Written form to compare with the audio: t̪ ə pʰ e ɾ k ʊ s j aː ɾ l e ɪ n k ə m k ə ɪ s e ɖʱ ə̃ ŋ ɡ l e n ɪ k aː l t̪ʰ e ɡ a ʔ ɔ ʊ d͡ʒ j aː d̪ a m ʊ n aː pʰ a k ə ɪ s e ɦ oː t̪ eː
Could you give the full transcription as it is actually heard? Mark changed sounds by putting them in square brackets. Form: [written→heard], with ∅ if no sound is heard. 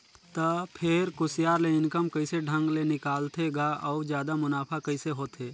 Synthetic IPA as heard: t̪ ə pʰ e ɾ k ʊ s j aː ɾ l e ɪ n k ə m k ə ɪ s e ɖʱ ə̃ ŋ ɡ l e n ɪ k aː l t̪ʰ e ɡ a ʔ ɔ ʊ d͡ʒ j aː d̪ a m ʊ n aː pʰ a k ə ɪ s e ɦ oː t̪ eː

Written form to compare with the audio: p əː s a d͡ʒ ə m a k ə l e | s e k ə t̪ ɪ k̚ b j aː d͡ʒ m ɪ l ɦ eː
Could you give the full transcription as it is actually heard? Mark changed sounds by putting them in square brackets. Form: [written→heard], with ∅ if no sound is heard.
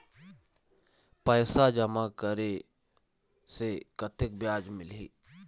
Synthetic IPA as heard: p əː s a d͡ʒ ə m a k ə [l→ɾ] e | s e k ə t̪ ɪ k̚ b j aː d͡ʒ m ɪ l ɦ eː

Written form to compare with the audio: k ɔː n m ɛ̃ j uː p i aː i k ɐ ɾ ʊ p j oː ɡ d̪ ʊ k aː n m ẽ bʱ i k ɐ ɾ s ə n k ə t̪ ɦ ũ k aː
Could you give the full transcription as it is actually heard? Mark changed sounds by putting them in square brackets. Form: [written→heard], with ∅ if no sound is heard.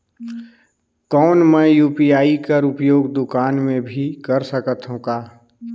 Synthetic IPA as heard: k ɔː n m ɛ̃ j uː p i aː i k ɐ ɾ ʊ p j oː ɡ d̪ ʊ k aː n m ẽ bʱ i k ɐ ɾ s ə [n→∅] k ə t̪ ɦ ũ k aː

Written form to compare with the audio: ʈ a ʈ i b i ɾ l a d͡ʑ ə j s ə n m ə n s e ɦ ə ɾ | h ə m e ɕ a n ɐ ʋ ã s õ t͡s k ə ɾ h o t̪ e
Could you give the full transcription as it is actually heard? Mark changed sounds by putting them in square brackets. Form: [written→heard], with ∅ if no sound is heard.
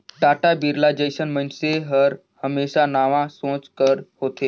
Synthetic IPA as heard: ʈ a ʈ [i→a] b i ɾ l a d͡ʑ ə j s ə n m ə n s e ɦ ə ɾ | h ə m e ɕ a n [ɐ→a] ʋ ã s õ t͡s k ə ɾ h o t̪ e

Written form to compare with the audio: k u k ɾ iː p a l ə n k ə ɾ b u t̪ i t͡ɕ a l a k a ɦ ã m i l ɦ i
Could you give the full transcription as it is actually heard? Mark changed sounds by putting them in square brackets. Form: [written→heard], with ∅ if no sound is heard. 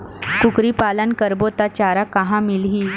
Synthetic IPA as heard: k u k ɾ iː p a l ə n k ə ɾ b [u→o] t̪ [i→a] t͡ɕ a [l→ɾ] a k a ɦ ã m i l ɦ i

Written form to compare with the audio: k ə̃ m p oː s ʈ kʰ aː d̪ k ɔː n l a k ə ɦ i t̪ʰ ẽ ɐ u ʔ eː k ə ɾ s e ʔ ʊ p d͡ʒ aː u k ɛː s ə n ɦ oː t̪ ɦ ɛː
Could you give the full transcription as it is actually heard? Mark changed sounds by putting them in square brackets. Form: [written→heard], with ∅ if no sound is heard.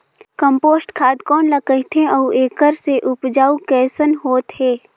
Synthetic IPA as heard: k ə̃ m p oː s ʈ kʰ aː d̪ k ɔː n l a k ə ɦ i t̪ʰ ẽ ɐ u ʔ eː k ə ɾ s e ʔ ʊ p d͡ʒ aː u k ɛː s ə n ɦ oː t̪ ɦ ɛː

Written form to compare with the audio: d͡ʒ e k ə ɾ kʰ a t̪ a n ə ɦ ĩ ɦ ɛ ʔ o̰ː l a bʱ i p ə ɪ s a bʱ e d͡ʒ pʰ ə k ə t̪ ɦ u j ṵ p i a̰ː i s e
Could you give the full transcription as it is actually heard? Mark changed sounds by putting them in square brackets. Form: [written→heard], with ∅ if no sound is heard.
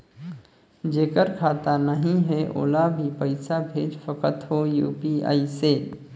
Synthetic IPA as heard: d͡ʒ e k ə ɾ kʰ a t̪ a n ə ɦ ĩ ɦ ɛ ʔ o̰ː l a bʱ i p ə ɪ s a bʱ e d͡ʒ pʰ ə k ə t̪ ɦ [u→o] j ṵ p i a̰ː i s e

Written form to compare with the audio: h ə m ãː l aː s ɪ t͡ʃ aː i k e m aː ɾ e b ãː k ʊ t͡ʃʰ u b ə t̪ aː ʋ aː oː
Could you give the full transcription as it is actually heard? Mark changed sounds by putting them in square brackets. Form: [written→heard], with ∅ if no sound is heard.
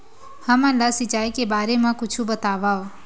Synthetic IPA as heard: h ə m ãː l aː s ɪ t͡ʃ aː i k e [m→b] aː ɾ e [b→m] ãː k ʊ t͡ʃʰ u b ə t̪ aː ʋ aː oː

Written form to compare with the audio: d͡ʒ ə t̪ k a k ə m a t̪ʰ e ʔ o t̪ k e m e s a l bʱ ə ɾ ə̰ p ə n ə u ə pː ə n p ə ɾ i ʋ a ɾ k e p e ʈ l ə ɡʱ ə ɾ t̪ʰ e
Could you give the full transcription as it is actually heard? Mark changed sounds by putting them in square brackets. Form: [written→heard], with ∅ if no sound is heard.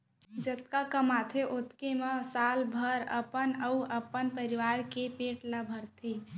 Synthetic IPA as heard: d͡ʒ ə t̪ k a k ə m a t̪ʰ e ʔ o t̪ k e m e s a l bʱ ə ɾ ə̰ p ə n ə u ə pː ə n p ə ɾ i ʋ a ɾ k e p e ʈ l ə [ɡʱ→bʱ] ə ɾ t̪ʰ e

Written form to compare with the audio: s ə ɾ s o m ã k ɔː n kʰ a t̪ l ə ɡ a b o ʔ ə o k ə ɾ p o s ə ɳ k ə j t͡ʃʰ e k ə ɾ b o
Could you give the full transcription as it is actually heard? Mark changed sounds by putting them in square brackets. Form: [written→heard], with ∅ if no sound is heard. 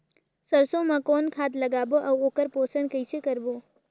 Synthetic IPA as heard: s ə ɾ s o m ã k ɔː n kʰ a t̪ l ə ɡ a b o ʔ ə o k ə ɾ p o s ə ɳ k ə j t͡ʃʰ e k ə ɾ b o

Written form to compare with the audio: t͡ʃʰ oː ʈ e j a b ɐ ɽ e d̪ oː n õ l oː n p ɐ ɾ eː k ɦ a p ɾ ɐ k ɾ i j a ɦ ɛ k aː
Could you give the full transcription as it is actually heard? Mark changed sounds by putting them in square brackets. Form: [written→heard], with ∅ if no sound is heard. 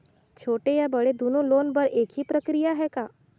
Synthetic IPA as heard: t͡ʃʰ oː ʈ e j a b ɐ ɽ e d̪ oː n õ l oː n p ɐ ɾ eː k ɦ [a→i] p ɾ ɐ k ɾ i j a ɦ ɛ k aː

